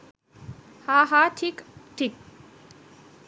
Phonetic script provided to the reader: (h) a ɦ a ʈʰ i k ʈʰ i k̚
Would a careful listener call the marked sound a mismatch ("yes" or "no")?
no